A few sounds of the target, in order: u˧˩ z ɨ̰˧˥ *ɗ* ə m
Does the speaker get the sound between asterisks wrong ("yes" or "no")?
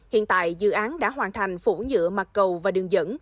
yes